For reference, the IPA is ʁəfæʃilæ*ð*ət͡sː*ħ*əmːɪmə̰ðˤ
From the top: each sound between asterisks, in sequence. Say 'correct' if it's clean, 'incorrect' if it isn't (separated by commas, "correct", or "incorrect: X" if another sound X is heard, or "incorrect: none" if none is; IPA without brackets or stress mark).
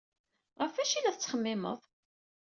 incorrect: θ, incorrect: χ